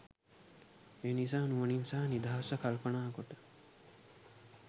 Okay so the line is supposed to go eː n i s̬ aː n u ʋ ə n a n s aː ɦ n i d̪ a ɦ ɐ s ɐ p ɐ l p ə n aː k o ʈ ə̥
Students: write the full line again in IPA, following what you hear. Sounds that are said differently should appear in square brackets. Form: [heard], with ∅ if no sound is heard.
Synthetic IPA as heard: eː n i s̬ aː n u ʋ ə n [i] n s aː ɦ n i d̪ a ɦ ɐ s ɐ [k] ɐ l p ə n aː k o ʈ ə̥

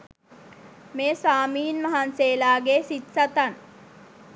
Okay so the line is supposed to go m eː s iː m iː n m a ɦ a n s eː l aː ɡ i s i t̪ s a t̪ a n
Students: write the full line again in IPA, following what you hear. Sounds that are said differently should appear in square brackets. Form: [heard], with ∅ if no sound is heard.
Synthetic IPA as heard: m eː s [aː] m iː n m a ɦ a n s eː l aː ɡ [e] s i t̪ s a t̪ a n

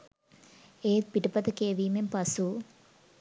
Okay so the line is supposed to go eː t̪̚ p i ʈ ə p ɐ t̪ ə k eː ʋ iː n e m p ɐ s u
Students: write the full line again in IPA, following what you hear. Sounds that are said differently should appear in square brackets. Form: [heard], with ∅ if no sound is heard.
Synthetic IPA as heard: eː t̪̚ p i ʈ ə p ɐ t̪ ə k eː ʋ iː [m] e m p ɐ s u

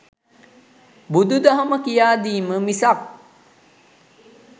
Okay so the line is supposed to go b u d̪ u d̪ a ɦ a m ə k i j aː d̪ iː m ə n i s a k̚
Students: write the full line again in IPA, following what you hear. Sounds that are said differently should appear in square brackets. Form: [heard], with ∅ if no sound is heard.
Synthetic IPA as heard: b u d̪ u d̪ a ɦ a m ə k i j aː d̪ iː m ə [m] i s a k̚

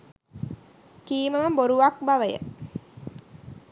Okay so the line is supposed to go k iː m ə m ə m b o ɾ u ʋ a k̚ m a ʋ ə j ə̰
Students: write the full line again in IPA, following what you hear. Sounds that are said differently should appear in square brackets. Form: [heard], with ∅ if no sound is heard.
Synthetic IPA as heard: k iː m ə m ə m b o ɾ u ʋ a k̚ [b] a ʋ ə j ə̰

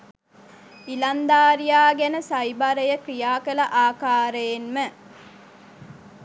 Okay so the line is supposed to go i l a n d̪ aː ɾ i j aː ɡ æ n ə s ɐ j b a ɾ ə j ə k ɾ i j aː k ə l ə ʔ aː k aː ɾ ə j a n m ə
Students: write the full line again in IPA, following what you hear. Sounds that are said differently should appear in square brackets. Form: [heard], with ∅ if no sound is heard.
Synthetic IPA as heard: i l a n d̪ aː ɾ i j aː ɡ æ n ə s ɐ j b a ɾ ə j ə k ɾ i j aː k ə l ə ʔ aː k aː ɾ ə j [e] n m ə

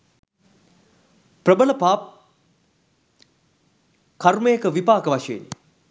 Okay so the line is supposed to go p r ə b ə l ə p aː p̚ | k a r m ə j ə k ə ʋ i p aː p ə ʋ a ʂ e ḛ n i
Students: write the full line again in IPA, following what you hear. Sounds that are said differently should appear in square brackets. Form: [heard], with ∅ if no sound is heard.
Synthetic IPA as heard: p r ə b ə l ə p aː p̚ | k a r m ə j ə k ə ʋ i p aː [k] ə ʋ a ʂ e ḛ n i

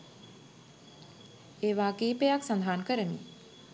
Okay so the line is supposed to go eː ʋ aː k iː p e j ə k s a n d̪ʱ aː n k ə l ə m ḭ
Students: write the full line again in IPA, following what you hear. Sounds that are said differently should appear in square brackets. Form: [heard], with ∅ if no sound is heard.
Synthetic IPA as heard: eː ʋ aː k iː p e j [a] k s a n d̪ʱ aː n k ə [ɾ] ə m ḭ

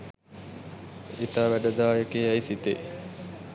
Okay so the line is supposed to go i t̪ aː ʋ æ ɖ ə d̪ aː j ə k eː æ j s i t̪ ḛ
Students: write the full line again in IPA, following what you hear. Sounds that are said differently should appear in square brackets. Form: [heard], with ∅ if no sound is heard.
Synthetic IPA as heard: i t̪ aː ʋ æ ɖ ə d̪ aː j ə k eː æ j s i t̪ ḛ

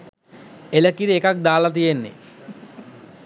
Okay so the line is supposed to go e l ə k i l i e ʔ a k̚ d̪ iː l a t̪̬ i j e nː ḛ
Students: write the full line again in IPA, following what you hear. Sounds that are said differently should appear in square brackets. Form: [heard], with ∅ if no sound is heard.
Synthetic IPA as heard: e l ə k i [ɾ] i e [k] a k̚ d̪ [aː] l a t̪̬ i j e nː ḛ

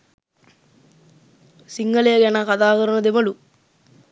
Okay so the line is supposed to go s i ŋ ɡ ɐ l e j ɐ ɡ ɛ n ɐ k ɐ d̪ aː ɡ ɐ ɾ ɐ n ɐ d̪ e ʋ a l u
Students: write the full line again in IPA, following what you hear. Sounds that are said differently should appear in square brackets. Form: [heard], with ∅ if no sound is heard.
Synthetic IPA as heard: s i ŋ ɡ ɐ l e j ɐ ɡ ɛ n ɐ k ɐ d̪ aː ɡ ɐ ɾ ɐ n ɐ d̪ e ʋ [ɐ] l u

